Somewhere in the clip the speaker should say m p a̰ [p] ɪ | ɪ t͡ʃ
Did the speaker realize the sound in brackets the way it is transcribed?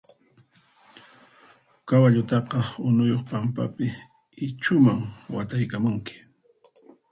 yes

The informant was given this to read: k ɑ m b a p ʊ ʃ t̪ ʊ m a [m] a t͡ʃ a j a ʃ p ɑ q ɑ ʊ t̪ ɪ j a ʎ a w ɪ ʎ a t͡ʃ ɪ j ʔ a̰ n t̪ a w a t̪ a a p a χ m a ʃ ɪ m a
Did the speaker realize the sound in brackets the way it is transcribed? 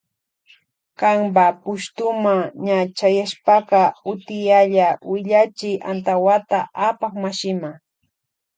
no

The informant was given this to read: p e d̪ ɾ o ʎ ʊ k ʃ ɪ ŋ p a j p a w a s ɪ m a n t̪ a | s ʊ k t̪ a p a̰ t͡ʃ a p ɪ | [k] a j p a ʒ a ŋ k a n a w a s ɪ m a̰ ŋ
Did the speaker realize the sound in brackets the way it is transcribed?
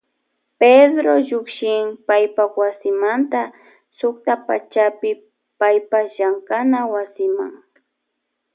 no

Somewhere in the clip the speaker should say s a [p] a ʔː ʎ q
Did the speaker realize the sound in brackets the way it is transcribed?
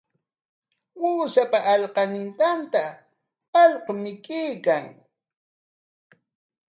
yes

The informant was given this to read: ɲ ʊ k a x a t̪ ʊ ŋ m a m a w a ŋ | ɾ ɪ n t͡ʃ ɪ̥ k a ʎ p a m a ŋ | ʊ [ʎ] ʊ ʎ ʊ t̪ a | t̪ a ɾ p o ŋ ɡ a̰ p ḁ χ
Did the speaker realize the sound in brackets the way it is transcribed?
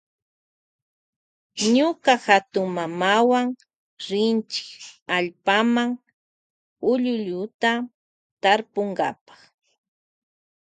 yes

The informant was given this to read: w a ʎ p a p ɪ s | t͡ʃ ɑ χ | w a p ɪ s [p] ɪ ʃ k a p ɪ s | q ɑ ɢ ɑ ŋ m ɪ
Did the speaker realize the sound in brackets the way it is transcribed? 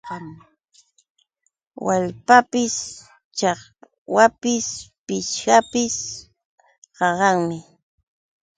yes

